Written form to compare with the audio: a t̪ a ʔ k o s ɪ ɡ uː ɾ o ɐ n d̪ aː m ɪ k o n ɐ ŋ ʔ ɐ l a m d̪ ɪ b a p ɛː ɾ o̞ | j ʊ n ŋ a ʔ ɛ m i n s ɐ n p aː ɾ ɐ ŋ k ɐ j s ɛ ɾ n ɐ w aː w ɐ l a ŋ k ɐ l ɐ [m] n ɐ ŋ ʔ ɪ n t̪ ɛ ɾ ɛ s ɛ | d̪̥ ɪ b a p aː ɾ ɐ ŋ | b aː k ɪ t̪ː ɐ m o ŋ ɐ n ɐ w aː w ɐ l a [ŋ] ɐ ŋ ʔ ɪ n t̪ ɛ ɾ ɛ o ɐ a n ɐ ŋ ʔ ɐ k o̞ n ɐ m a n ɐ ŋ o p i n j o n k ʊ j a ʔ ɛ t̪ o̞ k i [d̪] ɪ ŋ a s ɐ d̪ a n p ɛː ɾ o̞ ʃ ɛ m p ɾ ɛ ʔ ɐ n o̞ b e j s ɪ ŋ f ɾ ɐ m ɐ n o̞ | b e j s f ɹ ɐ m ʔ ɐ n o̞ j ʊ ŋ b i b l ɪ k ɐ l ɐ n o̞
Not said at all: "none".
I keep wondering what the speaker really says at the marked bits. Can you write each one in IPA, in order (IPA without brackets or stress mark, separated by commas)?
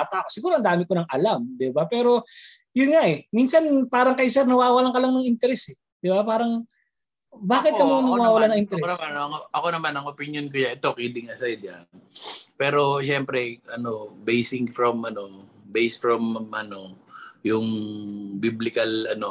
ŋ, n, d̪